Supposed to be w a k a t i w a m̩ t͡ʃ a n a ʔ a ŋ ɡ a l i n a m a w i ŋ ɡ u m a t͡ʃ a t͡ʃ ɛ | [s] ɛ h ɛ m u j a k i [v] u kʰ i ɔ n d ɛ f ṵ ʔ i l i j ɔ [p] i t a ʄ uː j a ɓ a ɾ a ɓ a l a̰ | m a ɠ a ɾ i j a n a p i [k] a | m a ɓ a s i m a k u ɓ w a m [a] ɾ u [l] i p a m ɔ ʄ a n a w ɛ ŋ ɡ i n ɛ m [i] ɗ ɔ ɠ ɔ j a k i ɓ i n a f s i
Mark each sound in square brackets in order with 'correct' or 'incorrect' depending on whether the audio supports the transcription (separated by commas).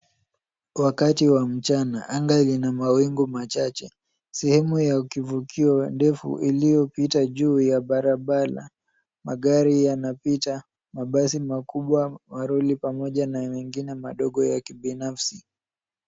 correct, correct, correct, incorrect, correct, correct, incorrect